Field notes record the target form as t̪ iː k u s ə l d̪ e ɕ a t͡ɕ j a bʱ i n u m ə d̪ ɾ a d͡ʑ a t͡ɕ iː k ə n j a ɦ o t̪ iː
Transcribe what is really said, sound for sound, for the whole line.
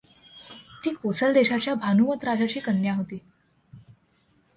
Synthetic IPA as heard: t̪ iː k o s ə l d̪ e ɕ a t͡ɕ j a bʱ a n u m ə t̪ ɾ a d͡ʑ a t͡ɕ iː k ə n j a ɦ o t̪ iː

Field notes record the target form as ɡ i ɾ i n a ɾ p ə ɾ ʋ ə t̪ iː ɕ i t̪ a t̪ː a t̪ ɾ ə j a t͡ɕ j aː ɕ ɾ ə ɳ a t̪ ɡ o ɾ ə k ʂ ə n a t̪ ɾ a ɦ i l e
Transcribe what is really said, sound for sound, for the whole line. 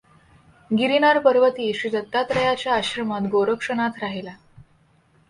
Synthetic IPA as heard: ɡ i ɾ i n a ɾ p ə ɾ ʋ ə t̪ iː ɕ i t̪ ə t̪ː a t̪ ɾ ə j a t͡ɕ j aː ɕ ɾ ə m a t̪ ɡ o ɾ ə k ʂ ə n a t̪ ɾ a ɦ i l a

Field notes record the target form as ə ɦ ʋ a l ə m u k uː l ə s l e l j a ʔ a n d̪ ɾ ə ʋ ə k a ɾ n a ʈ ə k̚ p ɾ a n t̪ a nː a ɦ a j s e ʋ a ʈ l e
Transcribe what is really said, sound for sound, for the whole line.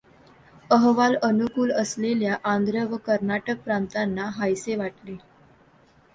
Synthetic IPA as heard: ə ɦ ʋ a l ə n u k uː l ə s l e l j a ʔ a n d̪ ɾ ə ʋ ə k ə ɾ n a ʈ ə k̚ p ɾ a n t̪ a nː a ɦ a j s e ʋ a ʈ l e

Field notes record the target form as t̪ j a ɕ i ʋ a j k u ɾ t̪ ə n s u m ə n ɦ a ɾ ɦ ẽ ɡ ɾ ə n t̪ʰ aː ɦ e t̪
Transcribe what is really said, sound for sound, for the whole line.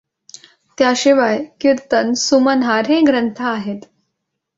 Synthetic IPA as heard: t̪ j a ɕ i ʋ a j k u ɾ t̪ ə n s u m ə n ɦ a ɾ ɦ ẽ ɡ ɾ ə n t̪ʰ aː ɦ e t̪

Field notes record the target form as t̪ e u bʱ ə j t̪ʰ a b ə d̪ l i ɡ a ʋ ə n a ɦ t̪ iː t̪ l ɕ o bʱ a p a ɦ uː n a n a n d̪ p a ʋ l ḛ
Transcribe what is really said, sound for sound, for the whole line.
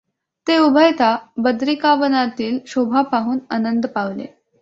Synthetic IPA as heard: t̪ e u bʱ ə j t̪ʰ a b ə d̪ ɾ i k a ʋ ə n a t̪ iː l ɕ o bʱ a p a ɦ uː n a n ə n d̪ p a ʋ l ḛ

